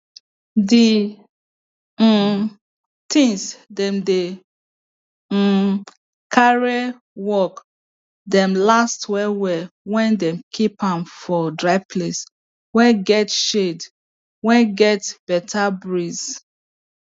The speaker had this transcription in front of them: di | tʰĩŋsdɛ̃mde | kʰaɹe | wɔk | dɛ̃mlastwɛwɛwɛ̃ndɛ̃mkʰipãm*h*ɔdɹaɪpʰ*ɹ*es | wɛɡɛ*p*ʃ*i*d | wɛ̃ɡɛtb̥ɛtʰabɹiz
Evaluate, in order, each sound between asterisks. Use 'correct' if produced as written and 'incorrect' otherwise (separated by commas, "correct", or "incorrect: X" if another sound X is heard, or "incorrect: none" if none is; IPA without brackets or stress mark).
incorrect: f, incorrect: l, incorrect: t, incorrect: e